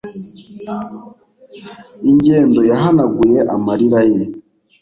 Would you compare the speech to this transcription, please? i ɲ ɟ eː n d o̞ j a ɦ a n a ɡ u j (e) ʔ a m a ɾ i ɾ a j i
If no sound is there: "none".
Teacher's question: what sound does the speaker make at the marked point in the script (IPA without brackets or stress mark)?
e